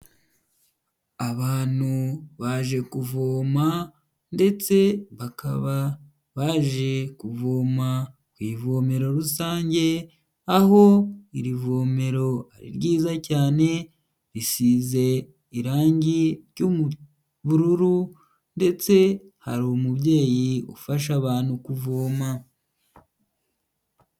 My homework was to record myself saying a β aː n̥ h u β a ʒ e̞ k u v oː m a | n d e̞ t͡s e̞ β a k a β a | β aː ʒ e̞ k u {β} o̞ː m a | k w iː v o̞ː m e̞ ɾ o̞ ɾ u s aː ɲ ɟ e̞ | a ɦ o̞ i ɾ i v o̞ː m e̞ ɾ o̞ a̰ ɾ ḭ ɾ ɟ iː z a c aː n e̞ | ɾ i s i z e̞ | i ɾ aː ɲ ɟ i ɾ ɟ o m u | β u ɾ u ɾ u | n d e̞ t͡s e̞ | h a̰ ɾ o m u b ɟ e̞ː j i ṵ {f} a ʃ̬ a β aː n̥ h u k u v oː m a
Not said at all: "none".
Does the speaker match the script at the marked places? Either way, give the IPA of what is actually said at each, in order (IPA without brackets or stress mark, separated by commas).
v, f